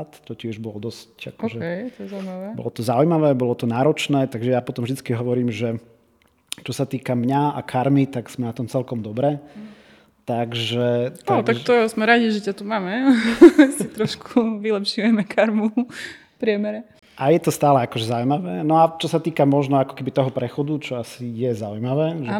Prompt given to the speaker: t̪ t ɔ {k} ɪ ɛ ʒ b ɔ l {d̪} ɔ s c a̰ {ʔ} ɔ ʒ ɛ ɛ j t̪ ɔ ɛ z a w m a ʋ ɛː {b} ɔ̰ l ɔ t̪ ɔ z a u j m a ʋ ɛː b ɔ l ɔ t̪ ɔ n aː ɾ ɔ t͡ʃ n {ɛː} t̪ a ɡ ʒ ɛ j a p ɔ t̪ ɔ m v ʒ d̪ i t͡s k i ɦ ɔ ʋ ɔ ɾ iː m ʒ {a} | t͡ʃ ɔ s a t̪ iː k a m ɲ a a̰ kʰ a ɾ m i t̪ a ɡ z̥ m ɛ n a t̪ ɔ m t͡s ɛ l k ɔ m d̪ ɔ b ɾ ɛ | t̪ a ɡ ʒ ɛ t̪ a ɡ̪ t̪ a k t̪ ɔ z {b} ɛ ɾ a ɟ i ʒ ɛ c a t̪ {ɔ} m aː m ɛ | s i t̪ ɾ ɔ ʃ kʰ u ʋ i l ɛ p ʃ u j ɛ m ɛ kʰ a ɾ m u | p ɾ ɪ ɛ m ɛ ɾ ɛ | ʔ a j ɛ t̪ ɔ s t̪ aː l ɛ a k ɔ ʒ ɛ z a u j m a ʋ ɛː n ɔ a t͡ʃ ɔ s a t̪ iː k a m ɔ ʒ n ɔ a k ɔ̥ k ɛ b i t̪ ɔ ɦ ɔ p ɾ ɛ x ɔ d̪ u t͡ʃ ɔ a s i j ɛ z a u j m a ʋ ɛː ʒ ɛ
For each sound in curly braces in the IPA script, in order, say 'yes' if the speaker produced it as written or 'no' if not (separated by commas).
no, yes, no, yes, yes, no, no, no